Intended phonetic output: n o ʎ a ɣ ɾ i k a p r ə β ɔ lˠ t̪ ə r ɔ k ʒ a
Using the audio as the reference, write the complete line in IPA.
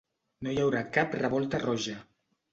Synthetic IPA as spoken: n o j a w ɾ a k a p r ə β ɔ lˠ t̪ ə r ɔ ʒ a